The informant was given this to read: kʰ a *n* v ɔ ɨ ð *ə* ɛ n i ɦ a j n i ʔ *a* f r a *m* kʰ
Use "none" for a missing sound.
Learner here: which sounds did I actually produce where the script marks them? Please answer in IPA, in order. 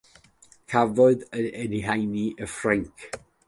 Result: none, ə, ə, ŋ

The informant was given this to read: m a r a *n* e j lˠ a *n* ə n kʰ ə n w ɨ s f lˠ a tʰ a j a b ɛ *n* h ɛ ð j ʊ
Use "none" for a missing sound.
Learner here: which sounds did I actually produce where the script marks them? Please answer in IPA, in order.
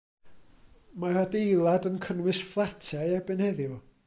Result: d, d, n

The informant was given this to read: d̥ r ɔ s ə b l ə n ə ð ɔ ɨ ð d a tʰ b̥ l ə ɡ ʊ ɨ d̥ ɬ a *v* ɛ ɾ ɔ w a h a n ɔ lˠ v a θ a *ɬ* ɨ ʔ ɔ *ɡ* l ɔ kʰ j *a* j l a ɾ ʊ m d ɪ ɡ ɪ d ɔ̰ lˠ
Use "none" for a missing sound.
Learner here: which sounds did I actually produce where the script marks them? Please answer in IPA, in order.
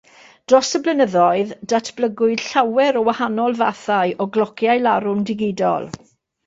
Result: w, none, ɡ, a

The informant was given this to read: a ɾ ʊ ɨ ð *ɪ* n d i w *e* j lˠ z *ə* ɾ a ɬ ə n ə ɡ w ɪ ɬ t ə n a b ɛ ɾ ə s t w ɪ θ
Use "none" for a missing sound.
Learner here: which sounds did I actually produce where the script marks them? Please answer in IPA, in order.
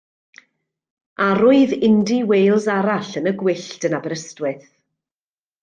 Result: ɪ, e, a

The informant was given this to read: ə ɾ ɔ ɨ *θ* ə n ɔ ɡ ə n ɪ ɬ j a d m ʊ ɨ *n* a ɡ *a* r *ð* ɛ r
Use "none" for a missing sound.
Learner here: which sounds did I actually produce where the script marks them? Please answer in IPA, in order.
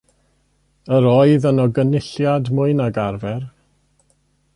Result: ð, n, a, v

